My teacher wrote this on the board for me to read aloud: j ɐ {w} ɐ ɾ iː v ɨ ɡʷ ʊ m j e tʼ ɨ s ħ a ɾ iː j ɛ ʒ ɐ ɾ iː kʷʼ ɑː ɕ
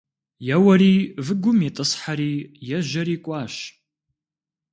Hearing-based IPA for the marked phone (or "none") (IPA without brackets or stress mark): w